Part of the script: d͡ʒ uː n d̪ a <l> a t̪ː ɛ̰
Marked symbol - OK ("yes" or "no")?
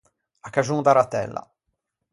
no